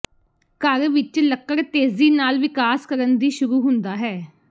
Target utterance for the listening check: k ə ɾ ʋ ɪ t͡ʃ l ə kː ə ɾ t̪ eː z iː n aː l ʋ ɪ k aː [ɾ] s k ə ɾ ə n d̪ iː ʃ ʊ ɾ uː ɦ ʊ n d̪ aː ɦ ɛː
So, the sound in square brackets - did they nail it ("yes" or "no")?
no